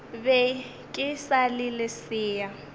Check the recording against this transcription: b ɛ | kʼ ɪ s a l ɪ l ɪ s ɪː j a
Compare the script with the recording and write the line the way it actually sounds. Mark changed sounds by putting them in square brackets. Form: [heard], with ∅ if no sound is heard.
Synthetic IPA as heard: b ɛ | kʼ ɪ s a l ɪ l ɪ s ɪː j a